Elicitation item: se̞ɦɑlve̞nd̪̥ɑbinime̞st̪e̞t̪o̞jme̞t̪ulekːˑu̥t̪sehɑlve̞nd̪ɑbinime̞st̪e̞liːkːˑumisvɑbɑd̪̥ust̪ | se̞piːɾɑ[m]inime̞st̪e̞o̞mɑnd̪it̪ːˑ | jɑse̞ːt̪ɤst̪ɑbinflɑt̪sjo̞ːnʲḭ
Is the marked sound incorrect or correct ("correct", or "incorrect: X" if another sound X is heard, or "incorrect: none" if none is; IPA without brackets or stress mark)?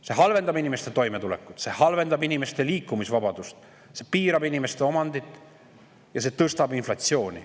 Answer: incorrect: b